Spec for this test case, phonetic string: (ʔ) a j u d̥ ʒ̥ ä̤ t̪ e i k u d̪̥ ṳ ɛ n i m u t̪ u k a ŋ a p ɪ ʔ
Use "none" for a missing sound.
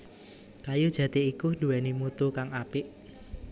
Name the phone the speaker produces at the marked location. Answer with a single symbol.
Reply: k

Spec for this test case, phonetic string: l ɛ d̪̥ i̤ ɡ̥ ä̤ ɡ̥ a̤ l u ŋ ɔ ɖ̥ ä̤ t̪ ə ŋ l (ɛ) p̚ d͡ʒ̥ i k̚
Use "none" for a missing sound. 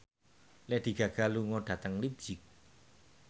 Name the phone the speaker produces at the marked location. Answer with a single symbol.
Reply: i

